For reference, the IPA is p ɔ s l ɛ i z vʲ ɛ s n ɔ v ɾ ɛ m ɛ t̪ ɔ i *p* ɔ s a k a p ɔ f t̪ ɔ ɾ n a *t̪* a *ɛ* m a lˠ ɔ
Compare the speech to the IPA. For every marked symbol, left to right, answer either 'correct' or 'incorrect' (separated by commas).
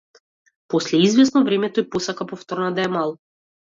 correct, incorrect, correct